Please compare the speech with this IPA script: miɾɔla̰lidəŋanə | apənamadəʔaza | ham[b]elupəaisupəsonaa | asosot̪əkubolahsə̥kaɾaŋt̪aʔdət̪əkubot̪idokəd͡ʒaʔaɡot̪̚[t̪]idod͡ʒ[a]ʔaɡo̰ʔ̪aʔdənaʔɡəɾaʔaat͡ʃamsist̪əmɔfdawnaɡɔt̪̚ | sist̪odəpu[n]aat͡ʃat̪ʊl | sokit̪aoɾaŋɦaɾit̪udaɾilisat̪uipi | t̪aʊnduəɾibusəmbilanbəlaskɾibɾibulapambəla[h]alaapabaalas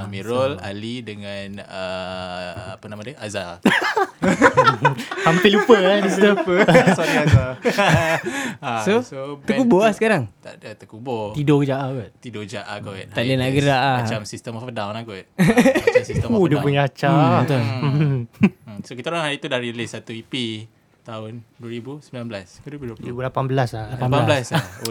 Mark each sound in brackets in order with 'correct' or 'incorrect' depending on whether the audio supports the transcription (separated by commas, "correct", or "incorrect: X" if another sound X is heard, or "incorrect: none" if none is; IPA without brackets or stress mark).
incorrect: p, correct, correct, incorrect: ɲ, incorrect: s